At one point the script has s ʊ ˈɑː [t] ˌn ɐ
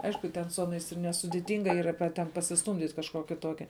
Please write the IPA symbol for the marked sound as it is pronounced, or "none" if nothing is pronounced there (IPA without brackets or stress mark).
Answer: none